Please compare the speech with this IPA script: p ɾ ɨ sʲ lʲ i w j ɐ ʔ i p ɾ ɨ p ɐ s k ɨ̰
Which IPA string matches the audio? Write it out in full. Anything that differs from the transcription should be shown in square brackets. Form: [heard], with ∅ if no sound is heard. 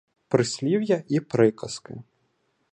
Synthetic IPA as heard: p ɾ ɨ sʲ lʲ i w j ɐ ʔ i p ɾ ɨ [k] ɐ s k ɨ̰